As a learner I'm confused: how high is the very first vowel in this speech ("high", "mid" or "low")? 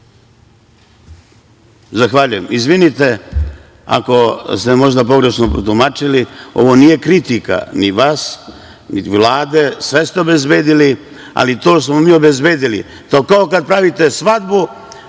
low